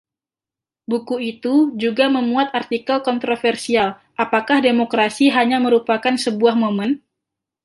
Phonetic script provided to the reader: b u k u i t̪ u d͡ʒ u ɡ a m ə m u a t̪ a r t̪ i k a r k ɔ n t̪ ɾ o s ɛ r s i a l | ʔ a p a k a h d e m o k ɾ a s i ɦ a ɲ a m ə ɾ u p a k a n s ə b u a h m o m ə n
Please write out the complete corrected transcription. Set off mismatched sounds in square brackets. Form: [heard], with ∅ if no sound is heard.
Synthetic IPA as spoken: b u k u i t̪ u d͡ʒ u ɡ a m ə m u a t̪ a r t̪ i k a [l] k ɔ n t̪ ɾ o [f] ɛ r s i a l | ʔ a p a k a h d e m o k ɾ a s i ɦ a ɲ a m ə ɾ u p a k a n s ə b u a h m o m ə n

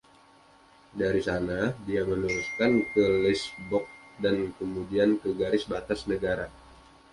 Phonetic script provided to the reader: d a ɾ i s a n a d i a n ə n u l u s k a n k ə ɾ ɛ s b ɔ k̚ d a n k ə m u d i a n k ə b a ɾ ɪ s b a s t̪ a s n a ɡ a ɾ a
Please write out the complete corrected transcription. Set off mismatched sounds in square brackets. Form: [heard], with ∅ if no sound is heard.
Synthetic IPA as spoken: d a ɾ i s a n a d i a [m] ə n u [ɾ] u s k a n k ə [l] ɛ s b ɔ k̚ d a n k ə m u d i a n k ə [ɡ] a ɾ ɪ s b a [∅] t̪ a s n [ə] ɡ a ɾ a

